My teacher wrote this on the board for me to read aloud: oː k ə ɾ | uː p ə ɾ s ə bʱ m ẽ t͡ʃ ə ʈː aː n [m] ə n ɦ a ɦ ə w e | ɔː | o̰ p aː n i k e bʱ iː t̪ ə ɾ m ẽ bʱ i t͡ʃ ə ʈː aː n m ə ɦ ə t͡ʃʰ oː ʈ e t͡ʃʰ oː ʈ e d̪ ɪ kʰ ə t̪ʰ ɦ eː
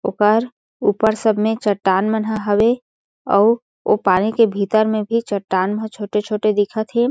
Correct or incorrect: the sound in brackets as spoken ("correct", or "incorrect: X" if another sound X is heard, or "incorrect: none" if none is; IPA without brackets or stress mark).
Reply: correct